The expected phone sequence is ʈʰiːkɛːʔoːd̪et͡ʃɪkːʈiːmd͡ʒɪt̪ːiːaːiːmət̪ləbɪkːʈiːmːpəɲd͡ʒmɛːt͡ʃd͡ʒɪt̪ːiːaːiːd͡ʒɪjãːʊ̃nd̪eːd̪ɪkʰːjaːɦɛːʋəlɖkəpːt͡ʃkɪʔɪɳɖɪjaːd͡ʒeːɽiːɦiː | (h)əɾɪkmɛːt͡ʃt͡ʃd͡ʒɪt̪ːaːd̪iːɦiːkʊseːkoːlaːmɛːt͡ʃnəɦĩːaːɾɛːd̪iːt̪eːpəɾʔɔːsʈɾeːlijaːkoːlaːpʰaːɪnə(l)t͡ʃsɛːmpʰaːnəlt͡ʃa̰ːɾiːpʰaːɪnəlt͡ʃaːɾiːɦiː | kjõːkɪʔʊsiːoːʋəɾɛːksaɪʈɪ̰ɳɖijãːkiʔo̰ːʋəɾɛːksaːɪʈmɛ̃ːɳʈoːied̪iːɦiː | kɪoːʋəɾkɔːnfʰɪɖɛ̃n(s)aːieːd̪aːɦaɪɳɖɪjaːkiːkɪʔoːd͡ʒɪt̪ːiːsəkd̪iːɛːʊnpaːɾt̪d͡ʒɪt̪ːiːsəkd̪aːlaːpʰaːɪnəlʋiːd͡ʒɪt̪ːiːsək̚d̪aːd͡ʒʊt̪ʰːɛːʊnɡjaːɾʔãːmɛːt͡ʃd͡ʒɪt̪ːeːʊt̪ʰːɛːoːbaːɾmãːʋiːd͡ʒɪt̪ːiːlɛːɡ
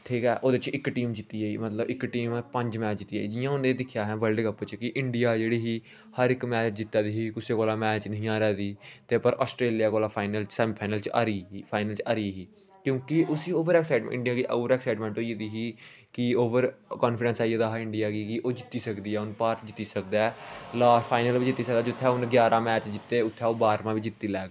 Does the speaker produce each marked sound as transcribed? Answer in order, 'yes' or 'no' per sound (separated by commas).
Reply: yes, yes, yes